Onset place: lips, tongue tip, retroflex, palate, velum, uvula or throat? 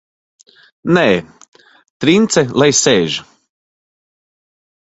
tongue tip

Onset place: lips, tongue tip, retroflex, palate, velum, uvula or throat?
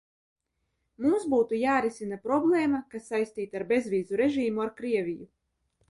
lips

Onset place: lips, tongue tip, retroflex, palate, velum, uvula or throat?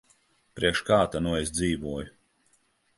lips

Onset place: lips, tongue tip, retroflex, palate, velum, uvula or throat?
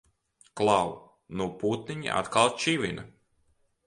velum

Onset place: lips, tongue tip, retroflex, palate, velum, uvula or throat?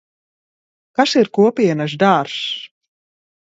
velum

